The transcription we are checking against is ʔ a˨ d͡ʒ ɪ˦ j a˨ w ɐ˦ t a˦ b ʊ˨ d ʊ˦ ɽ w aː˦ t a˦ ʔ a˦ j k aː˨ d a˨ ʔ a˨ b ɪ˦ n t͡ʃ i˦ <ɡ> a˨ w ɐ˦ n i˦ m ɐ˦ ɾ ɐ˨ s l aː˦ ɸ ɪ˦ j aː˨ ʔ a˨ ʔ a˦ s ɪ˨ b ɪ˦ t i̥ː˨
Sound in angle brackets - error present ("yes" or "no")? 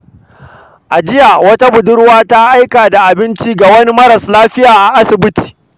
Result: no